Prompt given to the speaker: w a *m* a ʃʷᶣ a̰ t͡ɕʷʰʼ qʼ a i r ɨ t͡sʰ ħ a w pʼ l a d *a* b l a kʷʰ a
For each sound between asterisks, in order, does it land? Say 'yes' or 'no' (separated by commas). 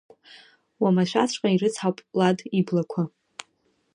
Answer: yes, no